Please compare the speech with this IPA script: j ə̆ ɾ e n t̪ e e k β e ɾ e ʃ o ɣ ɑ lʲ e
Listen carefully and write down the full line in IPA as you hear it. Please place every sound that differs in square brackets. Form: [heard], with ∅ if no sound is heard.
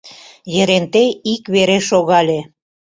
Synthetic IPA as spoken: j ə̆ ɾ e n t̪ e [i] k β e ɾ e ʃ o ɣ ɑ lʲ e

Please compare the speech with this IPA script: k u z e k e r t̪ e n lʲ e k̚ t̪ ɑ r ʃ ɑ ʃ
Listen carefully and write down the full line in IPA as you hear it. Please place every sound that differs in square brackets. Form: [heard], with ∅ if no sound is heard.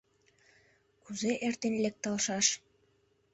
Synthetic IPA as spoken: k u z e [ʔ] e r t̪ e n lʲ e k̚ t̪ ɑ [l] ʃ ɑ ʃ

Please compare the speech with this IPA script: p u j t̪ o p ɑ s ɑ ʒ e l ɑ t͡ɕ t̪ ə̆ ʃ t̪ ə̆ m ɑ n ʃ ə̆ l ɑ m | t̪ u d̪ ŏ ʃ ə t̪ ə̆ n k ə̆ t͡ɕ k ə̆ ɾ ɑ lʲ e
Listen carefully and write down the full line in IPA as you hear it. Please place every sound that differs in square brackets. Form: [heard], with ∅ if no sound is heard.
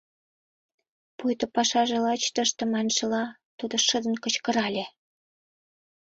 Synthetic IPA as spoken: p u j t̪ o p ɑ [ʃ] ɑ ʒ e l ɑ t͡ɕ t̪ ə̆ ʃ t̪ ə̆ m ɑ n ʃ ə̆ l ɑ [∅] | t̪ u d̪ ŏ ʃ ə [d̪] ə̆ n k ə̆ t͡ɕ k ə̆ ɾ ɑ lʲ e

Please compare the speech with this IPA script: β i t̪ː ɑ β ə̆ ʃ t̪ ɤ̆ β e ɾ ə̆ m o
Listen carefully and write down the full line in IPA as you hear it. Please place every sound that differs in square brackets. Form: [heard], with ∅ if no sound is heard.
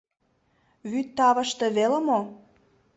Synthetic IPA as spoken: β [y] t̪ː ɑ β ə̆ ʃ t̪ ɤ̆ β e [l] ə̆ m o

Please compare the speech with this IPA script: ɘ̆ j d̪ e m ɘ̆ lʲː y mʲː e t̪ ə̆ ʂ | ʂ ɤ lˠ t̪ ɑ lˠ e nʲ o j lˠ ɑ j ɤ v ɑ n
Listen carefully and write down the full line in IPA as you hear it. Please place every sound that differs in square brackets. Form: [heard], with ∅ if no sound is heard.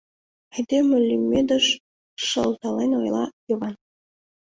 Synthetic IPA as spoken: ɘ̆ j d̪ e m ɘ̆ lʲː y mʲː e [d̪] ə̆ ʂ | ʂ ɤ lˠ t̪ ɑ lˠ e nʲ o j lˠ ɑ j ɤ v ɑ n

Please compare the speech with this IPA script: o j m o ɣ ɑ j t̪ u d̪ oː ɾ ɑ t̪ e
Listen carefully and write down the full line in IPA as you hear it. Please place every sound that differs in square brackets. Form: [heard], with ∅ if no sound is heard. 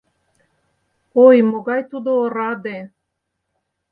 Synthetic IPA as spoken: o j m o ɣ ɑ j t̪ u d̪ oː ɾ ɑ [d̪] e

